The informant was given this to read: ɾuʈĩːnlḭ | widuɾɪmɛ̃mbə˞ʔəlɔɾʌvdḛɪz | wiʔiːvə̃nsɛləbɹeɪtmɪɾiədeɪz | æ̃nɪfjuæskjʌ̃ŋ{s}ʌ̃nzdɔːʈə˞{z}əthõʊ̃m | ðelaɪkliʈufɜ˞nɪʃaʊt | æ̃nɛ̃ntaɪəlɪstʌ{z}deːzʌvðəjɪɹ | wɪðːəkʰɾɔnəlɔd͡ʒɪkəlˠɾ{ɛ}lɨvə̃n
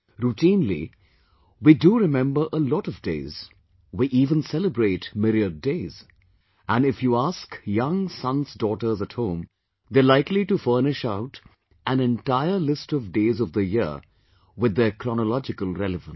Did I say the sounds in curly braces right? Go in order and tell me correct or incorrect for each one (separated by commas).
correct, correct, incorrect, correct